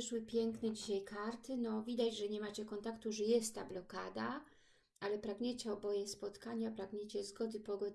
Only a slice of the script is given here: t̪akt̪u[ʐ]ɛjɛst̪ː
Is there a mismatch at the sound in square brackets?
no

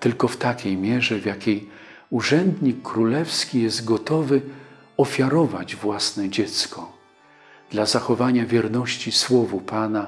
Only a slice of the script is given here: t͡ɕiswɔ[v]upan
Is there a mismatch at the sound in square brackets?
no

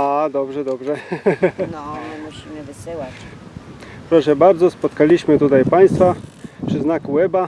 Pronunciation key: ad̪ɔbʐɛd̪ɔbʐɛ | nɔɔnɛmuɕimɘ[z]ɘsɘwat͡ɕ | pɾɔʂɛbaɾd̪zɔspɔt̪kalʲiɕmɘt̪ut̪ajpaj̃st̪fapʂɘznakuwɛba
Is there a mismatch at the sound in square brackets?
yes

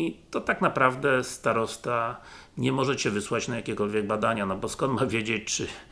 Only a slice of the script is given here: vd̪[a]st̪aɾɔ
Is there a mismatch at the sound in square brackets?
yes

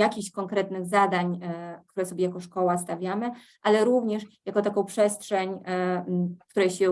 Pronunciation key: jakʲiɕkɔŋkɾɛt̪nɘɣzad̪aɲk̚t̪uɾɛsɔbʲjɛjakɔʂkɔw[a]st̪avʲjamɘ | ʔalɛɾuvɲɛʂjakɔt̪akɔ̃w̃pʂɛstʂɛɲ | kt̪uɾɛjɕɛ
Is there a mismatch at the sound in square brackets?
no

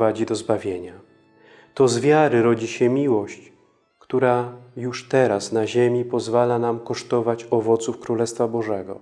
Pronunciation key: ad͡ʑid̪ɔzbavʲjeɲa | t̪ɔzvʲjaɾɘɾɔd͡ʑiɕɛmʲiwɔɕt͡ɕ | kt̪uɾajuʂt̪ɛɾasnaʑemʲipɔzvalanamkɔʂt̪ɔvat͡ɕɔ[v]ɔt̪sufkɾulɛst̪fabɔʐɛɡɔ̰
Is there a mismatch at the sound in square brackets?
no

